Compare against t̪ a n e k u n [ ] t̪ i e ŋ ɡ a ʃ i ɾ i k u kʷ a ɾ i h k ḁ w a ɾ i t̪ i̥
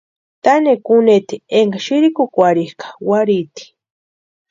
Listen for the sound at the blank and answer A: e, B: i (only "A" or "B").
A